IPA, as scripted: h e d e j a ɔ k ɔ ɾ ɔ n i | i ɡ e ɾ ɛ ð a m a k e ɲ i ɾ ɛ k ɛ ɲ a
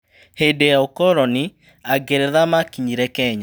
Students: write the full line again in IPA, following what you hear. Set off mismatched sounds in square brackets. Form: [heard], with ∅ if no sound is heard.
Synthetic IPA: h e d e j a [o] k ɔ ɾ ɔ n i | [a] ɡ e ɾ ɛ ð a m a k [i] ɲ i ɾ ɛ k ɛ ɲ a